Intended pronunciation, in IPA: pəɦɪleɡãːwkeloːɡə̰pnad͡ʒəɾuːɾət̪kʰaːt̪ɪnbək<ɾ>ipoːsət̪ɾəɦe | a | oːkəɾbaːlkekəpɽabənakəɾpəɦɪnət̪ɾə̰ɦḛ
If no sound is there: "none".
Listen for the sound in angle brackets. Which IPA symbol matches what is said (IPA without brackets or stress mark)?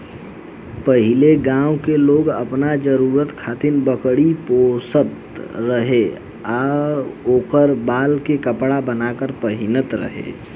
ɽ